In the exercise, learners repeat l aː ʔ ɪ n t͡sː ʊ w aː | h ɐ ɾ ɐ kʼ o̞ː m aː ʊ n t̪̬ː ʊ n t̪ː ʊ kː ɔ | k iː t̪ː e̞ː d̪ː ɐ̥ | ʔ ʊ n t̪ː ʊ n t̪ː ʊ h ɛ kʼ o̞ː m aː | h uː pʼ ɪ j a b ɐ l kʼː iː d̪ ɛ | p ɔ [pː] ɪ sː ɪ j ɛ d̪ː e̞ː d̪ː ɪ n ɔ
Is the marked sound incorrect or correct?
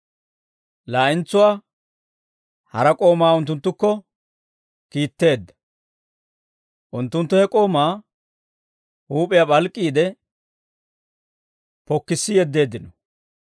incorrect: kː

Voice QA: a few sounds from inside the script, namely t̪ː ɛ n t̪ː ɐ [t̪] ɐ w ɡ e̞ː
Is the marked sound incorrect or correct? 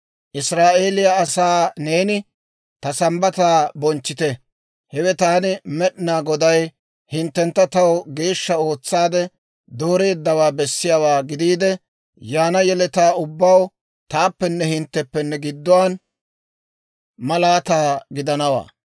correct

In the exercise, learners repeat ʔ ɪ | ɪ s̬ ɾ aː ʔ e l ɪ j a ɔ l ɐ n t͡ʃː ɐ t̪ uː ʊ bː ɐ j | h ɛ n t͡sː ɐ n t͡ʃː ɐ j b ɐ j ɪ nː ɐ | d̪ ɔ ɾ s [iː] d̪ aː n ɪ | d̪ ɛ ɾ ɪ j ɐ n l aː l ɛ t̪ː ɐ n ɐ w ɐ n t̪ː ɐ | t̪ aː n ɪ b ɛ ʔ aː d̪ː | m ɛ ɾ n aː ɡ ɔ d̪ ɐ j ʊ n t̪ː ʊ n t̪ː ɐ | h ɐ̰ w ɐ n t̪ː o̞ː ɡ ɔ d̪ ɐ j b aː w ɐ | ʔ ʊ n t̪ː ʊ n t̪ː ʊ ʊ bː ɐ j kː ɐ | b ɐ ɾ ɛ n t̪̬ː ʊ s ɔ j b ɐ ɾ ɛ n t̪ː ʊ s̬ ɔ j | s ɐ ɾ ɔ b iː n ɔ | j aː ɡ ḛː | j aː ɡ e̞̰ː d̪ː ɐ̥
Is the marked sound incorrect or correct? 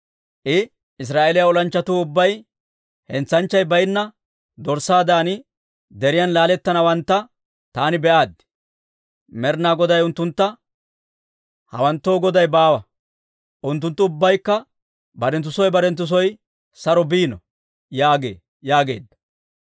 incorrect: aː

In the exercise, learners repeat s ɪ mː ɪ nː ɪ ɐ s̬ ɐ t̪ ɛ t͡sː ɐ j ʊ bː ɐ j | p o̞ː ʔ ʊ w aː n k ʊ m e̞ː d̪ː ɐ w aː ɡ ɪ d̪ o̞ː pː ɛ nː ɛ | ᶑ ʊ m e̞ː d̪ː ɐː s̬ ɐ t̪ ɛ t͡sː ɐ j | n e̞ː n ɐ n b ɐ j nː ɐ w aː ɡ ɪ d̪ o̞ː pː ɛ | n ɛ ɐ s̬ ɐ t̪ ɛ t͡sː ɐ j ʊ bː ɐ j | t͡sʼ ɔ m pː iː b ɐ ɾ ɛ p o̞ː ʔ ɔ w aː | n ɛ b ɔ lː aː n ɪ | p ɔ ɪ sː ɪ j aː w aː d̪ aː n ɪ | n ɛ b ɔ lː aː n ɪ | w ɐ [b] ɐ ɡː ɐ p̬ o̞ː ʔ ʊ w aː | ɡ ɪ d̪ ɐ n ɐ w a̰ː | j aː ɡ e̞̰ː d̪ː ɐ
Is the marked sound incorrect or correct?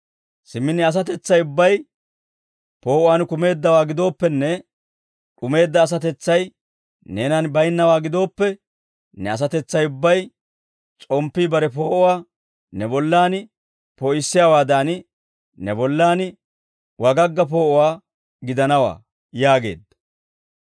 incorrect: ɡ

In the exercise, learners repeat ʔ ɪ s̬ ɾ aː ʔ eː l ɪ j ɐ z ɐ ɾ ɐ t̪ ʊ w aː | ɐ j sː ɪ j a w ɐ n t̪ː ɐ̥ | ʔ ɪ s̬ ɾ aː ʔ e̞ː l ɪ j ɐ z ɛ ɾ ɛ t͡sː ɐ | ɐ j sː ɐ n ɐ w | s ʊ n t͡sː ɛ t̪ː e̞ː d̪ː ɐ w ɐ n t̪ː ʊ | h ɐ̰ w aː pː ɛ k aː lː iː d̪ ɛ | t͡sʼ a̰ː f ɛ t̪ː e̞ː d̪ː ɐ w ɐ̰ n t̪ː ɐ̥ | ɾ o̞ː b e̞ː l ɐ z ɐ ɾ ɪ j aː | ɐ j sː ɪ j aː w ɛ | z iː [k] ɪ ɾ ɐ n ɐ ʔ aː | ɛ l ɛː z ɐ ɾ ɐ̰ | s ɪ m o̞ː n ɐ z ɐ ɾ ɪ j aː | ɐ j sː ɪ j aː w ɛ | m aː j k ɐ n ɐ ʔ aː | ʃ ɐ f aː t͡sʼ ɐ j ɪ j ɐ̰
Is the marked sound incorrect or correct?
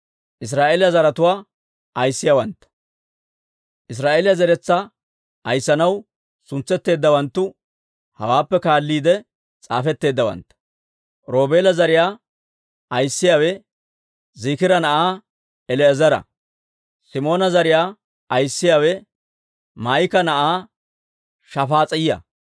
correct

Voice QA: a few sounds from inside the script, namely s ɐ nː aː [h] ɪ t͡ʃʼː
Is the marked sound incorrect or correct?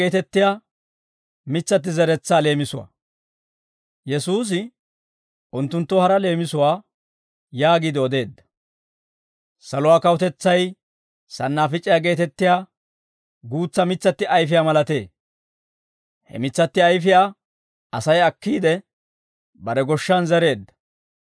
incorrect: f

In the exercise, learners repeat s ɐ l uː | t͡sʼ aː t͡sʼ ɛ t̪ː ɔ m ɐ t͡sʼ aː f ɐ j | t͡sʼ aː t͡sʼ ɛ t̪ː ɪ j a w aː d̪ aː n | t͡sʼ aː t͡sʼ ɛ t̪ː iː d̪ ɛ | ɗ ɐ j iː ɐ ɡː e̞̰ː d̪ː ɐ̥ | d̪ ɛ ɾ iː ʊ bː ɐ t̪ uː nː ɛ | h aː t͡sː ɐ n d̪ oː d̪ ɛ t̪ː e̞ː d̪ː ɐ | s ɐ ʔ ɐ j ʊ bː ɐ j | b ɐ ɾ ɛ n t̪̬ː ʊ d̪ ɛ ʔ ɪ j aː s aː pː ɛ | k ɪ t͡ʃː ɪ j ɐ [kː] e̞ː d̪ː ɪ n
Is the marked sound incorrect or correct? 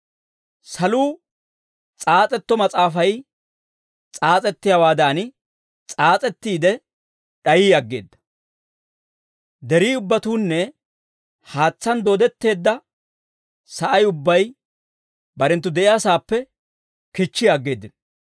incorrect: ɡː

